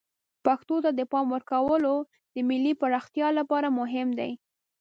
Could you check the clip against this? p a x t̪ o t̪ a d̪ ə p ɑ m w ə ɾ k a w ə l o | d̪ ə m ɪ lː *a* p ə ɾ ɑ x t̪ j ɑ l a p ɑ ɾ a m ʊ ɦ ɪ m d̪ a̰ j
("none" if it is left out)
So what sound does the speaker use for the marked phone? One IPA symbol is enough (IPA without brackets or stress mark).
i